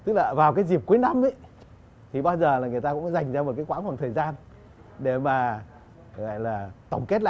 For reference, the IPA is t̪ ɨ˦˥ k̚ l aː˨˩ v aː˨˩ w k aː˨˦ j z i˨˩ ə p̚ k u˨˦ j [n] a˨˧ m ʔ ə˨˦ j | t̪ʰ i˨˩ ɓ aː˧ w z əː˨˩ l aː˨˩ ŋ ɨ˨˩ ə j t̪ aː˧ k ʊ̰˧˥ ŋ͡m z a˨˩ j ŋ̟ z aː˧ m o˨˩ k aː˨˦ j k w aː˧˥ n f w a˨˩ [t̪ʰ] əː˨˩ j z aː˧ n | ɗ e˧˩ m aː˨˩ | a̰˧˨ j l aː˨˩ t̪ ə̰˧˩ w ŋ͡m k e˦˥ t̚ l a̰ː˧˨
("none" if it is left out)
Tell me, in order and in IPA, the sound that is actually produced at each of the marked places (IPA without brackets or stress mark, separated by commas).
n, t̪ʰ